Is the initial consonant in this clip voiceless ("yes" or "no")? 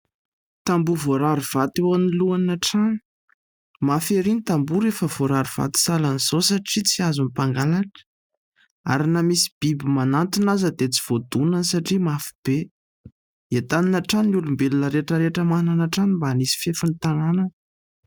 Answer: yes